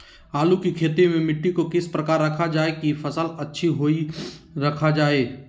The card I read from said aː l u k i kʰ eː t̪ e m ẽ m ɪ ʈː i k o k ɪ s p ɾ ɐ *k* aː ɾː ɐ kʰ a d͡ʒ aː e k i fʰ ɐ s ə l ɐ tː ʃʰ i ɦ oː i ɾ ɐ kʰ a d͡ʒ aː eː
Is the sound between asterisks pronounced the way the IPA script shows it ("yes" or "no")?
yes